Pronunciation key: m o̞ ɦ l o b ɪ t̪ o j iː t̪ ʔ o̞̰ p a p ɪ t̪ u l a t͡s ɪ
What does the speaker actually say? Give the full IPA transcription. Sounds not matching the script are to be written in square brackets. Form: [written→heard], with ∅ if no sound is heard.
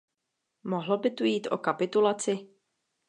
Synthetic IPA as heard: m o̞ ɦ l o b ɪ t̪ [o→u] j iː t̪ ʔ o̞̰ [p→k] a p ɪ t̪ u l a t͡s ɪ

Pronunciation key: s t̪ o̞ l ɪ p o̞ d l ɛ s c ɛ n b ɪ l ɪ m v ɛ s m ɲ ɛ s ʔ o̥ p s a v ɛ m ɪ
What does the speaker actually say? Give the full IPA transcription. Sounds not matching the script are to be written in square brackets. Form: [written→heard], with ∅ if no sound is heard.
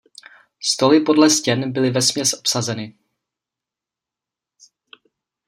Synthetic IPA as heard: s t̪ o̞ l ɪ p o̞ d l ɛ s c ɛ n b ɪ l ɪ [m→∅] v ɛ s m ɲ ɛ s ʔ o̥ p s a [v→z] ɛ [m→n] ɪ

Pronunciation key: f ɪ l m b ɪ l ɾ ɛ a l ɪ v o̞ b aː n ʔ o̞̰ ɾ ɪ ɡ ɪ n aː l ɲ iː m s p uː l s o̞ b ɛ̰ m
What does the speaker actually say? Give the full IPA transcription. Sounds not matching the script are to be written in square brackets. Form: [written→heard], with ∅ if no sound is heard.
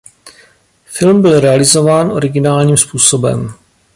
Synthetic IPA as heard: f ɪ l m b ɪ l ɾ ɛ a l ɪ [v→z] o̞ [b→v] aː n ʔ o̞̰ ɾ ɪ ɡ ɪ n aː l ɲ iː m s p uː [l→∅] s o̞ b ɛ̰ m

